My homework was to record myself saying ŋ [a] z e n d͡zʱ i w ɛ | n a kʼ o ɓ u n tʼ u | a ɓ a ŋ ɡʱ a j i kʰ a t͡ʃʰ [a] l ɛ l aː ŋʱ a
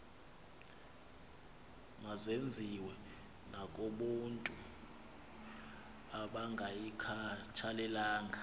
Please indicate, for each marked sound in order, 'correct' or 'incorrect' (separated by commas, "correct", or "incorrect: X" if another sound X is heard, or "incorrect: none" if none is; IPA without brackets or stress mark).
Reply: correct, correct